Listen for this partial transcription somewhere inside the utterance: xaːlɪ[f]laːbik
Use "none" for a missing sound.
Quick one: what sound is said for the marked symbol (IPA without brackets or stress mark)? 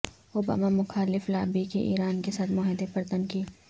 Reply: f